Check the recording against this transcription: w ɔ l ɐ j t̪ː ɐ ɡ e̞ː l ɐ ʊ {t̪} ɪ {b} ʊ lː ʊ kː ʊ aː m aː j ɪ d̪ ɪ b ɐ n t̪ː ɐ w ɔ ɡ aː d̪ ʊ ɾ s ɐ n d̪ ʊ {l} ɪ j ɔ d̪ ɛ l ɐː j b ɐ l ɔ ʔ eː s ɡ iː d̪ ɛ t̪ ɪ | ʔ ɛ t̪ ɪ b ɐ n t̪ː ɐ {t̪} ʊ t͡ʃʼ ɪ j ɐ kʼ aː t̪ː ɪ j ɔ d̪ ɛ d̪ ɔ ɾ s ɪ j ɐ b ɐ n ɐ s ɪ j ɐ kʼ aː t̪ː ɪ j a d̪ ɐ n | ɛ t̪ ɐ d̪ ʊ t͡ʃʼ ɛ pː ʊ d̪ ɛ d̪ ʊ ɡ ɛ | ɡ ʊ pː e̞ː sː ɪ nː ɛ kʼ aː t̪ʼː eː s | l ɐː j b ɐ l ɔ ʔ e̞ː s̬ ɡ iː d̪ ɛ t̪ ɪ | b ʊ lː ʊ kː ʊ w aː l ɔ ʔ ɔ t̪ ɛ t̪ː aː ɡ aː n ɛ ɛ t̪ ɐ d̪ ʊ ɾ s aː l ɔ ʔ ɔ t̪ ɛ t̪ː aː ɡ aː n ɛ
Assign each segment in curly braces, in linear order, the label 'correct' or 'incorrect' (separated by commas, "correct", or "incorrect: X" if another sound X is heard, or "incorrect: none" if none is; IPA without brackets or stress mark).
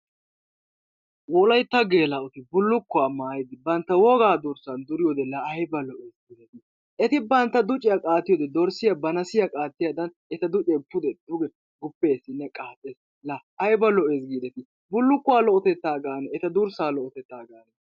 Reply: correct, correct, incorrect: ɾ, incorrect: d̪